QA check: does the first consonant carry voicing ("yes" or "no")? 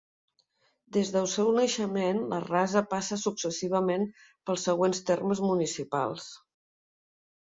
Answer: yes